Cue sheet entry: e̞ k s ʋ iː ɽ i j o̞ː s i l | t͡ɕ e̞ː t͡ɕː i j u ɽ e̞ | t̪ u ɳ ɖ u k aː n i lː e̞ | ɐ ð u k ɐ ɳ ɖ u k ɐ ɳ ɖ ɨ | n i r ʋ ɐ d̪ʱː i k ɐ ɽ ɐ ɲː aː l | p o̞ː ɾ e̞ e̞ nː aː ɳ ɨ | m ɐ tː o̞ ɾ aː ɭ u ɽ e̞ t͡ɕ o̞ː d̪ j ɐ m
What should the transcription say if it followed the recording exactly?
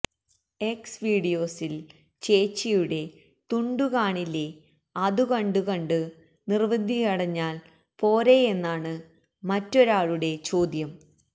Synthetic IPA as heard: e̞ k s ʋ iː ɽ i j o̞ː s i l | t͡ɕ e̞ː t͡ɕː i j u ɽ e̞ | t̪ u ɳ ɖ u k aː ɳ i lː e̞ | ɐ ð u k ɐ ɳ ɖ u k ɐ ɳ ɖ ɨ | n i r ʋ ɐ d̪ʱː i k ɐ ɽ ɐ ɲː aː l | p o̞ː ɾ e̞ e̞ nː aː ɳ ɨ | m ɐ tː o̞ ɾ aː ɭ u ɽ e̞ t͡ɕ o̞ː d̪ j ɐ m